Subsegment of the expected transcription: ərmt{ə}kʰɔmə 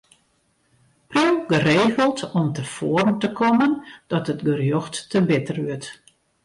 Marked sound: correct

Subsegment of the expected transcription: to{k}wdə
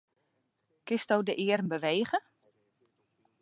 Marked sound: incorrect: none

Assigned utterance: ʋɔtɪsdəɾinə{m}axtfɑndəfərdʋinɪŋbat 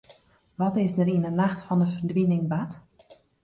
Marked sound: incorrect: n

